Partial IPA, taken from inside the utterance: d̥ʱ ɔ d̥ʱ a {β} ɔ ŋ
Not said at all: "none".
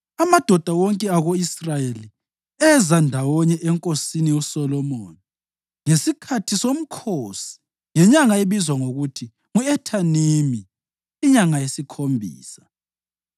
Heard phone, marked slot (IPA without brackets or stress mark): w